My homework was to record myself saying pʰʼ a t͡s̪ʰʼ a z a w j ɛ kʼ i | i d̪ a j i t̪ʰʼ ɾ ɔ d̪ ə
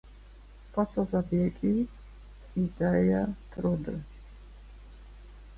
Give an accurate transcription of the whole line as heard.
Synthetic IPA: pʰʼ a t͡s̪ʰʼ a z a b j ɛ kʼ i | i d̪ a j a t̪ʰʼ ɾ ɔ d̪ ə